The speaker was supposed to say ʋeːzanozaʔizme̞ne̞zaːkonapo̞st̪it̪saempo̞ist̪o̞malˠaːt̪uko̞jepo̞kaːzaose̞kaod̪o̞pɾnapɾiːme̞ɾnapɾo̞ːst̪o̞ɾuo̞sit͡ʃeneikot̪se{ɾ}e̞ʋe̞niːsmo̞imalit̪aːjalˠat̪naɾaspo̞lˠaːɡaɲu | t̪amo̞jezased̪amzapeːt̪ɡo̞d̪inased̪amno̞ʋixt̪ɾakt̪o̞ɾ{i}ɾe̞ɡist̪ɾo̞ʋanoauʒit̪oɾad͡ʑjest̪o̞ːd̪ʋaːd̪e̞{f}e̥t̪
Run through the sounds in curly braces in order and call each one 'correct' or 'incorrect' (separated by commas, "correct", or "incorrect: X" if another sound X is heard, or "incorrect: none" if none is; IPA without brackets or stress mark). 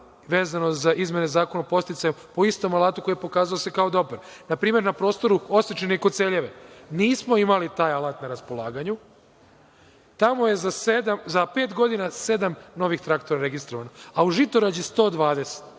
incorrect: ʎ, incorrect: a, incorrect: s